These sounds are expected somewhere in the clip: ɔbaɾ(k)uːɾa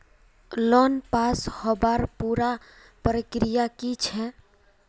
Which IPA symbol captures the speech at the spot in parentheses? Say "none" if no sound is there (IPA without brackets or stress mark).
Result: p